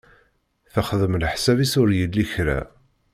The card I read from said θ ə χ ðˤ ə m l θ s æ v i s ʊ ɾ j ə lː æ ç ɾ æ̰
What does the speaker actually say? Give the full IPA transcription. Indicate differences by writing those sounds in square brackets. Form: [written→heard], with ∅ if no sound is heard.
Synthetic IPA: θ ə χ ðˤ ə m l [θ→ħ] s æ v i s ʊ ɾ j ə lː [æ→i] ç ɾ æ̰